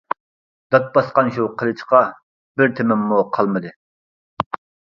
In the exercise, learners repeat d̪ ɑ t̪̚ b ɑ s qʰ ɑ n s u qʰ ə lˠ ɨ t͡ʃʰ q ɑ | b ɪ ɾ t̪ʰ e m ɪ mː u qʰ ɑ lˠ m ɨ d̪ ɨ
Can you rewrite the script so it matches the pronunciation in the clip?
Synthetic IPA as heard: d̪ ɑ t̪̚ b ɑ s q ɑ n ʃ u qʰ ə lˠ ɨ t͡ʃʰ q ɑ | b ɪ ɾ t̪ʰ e m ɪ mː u qʰ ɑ lˠ m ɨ d̪ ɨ